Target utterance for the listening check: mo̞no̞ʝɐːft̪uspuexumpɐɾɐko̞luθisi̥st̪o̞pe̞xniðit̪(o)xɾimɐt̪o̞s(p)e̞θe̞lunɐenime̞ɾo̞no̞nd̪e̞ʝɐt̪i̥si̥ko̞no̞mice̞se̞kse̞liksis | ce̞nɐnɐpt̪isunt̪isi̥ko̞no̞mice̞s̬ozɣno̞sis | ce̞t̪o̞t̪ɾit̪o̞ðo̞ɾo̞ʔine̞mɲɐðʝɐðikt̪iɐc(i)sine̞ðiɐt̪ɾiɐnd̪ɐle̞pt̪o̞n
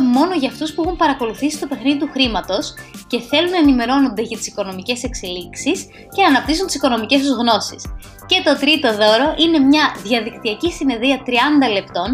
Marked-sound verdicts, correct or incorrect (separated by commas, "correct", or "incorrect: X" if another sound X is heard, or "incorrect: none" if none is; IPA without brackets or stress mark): incorrect: u, incorrect: c, correct